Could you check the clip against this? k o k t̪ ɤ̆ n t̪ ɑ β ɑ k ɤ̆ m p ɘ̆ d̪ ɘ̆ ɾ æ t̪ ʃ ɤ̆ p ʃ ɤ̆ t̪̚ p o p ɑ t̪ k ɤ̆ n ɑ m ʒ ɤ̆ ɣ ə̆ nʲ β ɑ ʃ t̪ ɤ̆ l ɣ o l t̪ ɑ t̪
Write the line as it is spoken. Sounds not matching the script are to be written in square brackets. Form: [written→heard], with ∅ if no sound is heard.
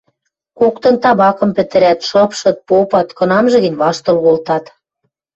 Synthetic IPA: k o k t̪ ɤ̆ n t̪ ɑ β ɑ k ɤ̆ m p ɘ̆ [d̪→t̪] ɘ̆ ɾ æ t̪ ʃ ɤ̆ p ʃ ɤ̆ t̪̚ p o p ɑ t̪ k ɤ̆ n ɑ m ʒ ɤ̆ ɣ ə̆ nʲ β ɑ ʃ t̪ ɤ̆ l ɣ o l t̪ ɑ t̪